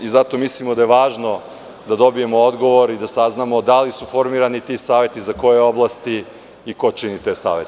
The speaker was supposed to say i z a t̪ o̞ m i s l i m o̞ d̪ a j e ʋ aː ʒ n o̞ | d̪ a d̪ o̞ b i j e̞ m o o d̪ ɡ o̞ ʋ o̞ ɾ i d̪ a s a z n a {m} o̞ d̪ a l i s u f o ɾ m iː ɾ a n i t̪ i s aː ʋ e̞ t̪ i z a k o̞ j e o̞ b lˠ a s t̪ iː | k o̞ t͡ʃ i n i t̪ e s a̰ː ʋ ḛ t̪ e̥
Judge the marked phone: correct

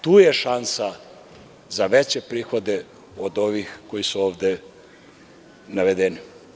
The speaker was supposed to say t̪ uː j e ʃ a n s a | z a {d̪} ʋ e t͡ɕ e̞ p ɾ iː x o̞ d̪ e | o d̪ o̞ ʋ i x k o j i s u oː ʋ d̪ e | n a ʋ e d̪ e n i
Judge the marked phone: incorrect: none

